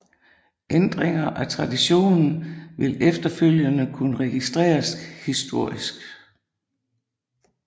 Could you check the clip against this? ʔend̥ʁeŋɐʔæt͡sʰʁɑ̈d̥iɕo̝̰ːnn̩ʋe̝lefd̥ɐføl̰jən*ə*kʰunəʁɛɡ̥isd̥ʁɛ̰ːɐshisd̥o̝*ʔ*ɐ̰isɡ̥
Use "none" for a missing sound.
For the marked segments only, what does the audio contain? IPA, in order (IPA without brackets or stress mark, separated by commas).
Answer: ə, none